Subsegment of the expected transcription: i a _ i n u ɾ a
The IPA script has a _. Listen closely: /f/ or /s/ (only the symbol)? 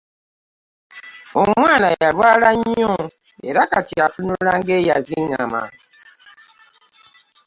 f